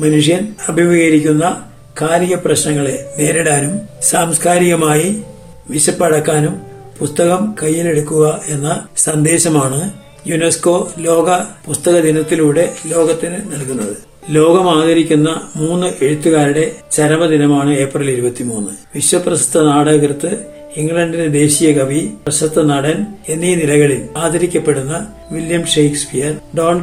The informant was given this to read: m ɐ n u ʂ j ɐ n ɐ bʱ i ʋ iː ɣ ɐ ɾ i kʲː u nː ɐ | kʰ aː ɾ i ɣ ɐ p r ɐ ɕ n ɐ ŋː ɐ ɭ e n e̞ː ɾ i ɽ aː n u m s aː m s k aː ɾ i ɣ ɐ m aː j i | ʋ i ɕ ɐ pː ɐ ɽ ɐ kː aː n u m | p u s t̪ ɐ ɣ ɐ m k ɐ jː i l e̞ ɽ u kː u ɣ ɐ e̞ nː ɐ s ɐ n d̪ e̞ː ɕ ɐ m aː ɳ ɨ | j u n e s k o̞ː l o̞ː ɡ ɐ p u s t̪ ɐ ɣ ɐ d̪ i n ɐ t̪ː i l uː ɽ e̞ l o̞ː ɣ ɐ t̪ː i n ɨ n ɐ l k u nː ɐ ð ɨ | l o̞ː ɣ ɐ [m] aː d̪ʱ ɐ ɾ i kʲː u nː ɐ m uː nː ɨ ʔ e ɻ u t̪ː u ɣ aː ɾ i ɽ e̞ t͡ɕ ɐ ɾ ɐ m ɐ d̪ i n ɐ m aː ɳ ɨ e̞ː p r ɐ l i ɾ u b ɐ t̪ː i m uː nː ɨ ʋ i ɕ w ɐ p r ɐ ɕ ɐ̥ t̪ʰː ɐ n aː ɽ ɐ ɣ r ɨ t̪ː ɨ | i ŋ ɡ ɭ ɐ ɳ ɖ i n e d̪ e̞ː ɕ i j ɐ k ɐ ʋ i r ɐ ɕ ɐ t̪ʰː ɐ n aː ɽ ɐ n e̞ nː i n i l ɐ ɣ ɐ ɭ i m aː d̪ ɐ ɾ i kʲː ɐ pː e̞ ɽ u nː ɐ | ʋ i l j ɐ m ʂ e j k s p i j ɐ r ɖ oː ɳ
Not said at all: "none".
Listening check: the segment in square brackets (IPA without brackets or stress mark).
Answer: m